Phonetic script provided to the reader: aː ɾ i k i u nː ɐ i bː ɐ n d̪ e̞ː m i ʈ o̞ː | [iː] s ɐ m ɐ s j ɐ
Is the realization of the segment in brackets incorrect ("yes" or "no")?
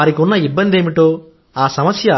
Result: yes